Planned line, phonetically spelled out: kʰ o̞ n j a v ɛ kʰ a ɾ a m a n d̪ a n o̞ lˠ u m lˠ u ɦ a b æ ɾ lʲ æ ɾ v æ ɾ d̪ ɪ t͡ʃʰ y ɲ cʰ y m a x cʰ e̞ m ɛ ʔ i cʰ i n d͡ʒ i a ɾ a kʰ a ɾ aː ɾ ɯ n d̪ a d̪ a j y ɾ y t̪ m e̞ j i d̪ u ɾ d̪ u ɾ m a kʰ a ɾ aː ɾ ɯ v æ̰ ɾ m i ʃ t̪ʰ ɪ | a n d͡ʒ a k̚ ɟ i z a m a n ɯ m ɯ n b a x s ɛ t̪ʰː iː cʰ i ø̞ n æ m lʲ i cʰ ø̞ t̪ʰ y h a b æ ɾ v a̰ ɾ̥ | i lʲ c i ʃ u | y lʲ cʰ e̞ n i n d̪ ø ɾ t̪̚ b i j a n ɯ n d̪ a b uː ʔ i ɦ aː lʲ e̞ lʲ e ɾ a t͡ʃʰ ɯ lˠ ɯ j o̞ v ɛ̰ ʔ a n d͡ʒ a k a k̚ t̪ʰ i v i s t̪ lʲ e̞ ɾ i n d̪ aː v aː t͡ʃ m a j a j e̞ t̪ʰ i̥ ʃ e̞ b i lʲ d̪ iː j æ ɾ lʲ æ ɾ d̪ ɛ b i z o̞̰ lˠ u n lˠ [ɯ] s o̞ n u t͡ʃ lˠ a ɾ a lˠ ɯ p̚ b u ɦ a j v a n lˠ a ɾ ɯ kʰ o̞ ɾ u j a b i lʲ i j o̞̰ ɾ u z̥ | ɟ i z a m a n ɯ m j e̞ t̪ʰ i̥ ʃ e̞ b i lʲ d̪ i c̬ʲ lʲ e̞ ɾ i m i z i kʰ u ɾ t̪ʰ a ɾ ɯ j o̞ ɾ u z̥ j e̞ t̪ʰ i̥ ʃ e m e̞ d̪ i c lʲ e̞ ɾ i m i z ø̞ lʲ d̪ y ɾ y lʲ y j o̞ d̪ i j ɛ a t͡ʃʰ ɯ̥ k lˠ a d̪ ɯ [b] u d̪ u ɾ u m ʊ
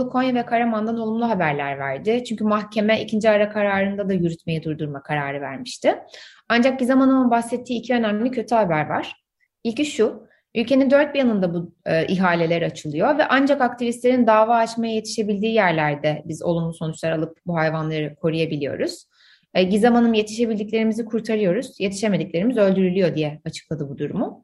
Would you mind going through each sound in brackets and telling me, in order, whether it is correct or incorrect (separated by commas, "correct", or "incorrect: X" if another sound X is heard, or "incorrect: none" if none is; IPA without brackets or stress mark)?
incorrect: u, correct